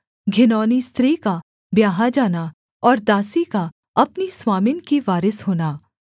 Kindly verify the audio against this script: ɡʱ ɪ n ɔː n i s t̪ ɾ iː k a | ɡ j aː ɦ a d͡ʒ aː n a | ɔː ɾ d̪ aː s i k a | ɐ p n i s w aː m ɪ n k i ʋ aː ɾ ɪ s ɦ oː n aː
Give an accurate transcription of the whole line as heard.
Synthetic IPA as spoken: ɡʱ ɪ n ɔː n i s t̪ ɾ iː k a | b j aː ɦ a d͡ʒ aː n a | ɔː ɾ d̪ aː s i k a | ɐ p n i s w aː m ɪ n k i ʋ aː ɾ ɪ s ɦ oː n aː